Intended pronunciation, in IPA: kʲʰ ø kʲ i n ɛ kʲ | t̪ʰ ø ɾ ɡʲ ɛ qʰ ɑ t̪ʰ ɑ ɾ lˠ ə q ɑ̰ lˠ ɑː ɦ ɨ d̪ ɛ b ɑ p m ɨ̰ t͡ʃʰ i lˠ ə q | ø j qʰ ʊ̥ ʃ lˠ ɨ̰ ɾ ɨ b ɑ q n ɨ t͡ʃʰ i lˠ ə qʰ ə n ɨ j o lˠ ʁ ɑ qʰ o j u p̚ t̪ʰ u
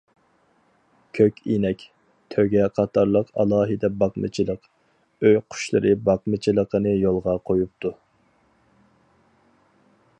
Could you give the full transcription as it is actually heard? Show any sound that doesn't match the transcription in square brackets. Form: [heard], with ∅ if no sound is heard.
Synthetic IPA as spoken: kʲʰ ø kʲ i n ɛ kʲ | t̪ʰ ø [∅] ɡʲ ɛ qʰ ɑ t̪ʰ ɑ ɾ lˠ ə q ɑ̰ lˠ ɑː ɦ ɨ d̪ ɛ b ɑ [q] m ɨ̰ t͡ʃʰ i lˠ ə q | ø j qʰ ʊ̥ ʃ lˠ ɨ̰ ɾ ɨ b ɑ q [m] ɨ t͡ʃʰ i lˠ ə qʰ ə n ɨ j o lˠ ʁ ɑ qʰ o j u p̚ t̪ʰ u